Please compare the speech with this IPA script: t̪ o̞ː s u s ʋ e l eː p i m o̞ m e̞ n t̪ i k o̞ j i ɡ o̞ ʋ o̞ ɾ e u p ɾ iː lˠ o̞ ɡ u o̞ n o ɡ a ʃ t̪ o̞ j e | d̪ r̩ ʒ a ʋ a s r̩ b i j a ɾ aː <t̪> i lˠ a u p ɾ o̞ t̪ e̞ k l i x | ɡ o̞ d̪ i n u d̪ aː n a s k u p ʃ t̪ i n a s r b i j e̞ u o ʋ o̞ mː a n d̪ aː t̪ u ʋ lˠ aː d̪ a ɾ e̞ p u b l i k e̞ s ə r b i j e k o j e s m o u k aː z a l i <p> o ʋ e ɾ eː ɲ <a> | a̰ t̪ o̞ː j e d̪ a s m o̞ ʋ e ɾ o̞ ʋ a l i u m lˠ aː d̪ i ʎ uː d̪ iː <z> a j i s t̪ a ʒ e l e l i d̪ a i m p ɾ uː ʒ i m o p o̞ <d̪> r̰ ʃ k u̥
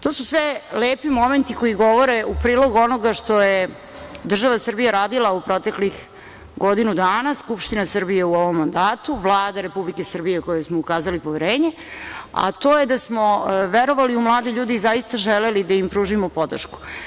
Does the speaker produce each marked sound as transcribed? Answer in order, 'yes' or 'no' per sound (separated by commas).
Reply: no, yes, no, yes, yes